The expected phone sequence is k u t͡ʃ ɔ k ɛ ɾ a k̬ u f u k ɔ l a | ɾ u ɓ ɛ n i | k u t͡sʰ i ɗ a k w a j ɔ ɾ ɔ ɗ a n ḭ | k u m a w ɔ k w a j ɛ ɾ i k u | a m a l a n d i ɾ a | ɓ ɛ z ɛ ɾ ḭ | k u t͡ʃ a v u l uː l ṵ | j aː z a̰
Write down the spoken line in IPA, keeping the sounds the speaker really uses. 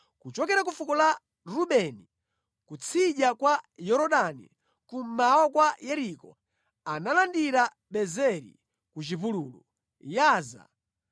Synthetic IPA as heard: k u t͡ʃ ɔ k ɛ ɾ a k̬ u f u k ɔ l a | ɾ u ɓ ɛ n i | k u t͡sʰ i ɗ a k w a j ɔ ɾ ɔ ɗ a n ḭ | k u m a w ɔ k w a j ɛ ɾ i k ɔ | a n a l a n d i ɾ a | ɓ ɛ z ɛ ɾ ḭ | k u t͡ʃ i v u l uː l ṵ | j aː z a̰